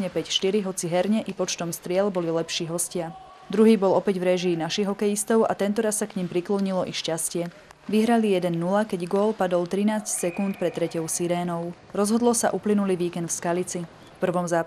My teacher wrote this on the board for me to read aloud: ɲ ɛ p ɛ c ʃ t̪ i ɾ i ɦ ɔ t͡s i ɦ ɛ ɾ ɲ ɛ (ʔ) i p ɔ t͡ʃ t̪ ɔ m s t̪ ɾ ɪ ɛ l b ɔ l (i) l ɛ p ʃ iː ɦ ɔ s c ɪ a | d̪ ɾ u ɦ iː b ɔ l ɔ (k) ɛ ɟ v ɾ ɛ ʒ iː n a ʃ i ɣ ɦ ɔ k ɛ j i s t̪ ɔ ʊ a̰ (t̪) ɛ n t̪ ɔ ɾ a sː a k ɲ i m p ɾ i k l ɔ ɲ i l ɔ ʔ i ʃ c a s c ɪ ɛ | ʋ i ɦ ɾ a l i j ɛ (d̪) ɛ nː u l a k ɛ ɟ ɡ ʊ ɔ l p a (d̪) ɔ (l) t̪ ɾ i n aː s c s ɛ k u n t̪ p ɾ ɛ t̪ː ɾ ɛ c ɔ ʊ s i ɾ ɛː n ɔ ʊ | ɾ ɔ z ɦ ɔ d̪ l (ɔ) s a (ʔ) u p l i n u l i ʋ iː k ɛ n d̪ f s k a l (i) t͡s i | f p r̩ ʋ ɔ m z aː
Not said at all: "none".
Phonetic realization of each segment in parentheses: ʔ, i, p, t̪, d̪, d̪, l, ɔ, ʔ, i

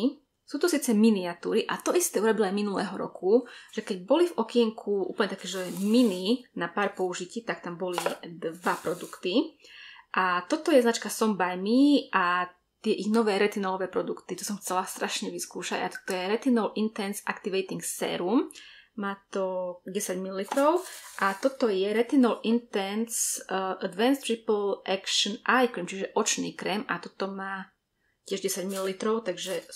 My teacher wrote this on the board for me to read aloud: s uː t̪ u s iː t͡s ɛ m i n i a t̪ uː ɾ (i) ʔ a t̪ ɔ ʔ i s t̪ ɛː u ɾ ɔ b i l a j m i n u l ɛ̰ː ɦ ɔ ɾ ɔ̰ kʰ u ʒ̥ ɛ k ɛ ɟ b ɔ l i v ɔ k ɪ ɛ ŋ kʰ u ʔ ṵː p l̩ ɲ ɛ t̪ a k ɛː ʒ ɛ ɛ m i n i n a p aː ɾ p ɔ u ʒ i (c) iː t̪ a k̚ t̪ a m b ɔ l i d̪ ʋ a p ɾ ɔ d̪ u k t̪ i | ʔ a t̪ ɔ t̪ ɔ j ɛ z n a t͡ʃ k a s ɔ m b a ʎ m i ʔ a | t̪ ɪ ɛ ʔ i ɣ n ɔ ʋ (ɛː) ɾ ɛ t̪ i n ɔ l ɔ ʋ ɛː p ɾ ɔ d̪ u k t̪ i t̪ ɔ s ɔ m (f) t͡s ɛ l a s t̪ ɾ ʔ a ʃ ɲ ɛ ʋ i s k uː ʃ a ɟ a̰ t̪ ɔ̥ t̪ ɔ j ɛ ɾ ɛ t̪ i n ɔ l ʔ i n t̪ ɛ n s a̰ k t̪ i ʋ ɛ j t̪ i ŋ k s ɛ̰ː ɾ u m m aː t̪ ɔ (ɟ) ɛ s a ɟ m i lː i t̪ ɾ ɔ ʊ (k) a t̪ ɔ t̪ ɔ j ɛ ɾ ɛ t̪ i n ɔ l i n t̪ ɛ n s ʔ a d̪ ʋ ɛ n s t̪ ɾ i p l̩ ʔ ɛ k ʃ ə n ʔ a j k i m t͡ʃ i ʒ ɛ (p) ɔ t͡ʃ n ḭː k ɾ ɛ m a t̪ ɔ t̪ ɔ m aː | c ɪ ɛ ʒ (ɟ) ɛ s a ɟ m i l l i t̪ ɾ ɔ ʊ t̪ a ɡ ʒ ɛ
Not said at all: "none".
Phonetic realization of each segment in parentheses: i, c, ɛː, x, ɟ, ʔ, ʔ, ɟ

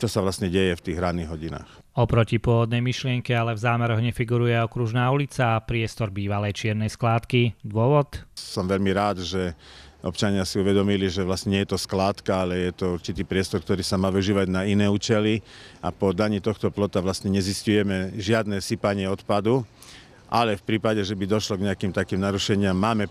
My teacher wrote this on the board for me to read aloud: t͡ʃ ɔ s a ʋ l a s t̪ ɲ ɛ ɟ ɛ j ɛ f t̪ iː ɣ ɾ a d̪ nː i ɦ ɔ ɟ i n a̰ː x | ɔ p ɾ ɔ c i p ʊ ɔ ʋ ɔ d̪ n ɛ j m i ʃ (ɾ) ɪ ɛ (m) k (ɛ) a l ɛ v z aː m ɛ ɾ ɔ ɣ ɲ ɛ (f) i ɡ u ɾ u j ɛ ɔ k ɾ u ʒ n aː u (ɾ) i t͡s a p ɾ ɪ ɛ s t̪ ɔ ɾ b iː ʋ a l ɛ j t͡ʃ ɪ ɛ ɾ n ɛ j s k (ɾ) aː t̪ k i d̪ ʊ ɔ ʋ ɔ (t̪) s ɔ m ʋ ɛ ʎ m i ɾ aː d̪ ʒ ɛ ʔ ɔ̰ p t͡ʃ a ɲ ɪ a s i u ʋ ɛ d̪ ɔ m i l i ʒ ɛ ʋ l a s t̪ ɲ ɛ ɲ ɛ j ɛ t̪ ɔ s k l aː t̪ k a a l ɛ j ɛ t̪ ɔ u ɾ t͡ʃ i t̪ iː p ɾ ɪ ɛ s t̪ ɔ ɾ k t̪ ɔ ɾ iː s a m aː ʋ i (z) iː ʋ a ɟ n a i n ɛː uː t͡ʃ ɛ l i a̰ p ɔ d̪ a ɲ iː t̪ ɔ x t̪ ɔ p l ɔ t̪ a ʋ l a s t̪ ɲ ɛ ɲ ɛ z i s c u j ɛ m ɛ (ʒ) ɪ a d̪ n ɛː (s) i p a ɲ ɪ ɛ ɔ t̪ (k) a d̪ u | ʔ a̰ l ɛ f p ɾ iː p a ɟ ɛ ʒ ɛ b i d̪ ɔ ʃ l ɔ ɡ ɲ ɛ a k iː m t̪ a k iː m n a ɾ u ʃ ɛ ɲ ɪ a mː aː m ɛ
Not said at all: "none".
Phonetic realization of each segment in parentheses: l, ŋ, ɛ, f, l, l, t̪, ʒ, ʒ, s, p

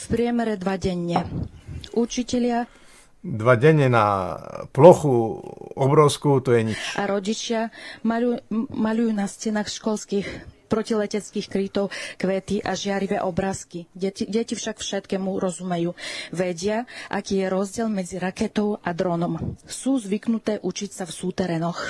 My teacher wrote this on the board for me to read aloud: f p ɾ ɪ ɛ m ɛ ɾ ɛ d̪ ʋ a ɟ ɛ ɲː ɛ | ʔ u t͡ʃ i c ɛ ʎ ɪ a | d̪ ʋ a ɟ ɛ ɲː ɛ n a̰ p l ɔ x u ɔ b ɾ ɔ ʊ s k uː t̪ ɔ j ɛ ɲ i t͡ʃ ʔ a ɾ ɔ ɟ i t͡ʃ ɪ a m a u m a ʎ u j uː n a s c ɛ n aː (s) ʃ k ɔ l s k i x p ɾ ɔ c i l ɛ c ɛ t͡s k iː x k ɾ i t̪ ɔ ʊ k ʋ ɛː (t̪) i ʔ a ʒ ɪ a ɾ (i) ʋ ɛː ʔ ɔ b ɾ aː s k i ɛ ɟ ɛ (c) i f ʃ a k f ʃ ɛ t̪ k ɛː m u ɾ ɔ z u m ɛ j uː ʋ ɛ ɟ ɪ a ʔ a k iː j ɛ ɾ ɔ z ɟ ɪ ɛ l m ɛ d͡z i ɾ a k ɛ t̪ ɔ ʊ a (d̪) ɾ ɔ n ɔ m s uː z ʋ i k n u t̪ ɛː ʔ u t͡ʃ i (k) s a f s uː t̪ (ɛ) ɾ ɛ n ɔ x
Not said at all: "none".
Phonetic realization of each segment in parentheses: x, t̪, i, c, d̪, c, ɛ

